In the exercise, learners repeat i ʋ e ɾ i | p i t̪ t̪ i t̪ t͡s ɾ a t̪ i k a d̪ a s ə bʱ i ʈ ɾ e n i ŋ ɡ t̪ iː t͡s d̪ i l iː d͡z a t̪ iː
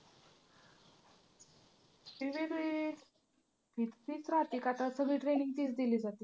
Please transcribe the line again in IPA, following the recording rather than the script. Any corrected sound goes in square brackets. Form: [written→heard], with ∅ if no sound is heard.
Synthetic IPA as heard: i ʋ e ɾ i | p i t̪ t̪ i [t̪→∅] t͡s ɾ a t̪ i k a [d̪→t̪] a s ə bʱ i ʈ ɾ e n i ŋ ɡ t̪ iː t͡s d̪ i l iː d͡z a t̪ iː